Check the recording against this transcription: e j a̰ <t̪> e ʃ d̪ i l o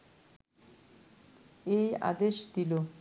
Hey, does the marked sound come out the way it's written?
no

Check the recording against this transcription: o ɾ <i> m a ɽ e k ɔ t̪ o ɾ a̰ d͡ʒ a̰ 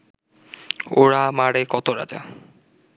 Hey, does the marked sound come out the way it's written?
no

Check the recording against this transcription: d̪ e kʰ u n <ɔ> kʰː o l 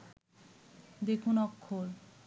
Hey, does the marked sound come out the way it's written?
yes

